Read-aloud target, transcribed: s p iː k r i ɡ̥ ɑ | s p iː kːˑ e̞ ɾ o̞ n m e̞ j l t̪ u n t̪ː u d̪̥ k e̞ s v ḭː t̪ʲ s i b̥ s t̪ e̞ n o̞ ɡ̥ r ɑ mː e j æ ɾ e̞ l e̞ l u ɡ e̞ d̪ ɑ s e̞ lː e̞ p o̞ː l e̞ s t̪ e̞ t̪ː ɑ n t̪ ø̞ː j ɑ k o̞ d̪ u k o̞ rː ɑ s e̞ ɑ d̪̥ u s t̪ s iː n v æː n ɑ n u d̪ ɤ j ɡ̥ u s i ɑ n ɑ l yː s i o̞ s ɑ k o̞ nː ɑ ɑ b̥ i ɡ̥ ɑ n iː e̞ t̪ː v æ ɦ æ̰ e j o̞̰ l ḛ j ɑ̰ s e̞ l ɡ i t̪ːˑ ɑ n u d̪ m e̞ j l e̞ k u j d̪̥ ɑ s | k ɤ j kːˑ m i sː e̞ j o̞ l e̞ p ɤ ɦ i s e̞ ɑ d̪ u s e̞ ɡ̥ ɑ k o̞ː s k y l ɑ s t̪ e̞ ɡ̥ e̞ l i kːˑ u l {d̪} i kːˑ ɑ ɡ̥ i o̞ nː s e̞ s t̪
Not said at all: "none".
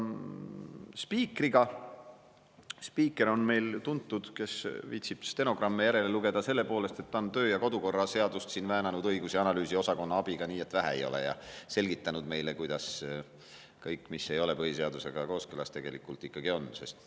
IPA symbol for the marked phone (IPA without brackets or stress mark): t̪